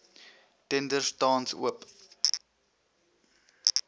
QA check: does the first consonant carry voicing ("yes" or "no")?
no